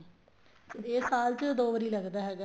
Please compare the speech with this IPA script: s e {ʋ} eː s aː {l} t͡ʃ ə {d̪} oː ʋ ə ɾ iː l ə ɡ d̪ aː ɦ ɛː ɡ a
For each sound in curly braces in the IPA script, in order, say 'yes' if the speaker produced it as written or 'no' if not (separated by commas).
no, yes, yes